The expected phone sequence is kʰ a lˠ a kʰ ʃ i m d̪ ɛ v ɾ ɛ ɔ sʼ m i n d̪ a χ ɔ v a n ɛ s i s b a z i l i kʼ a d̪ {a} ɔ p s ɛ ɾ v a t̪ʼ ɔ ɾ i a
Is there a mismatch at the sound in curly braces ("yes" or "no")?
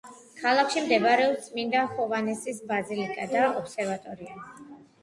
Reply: no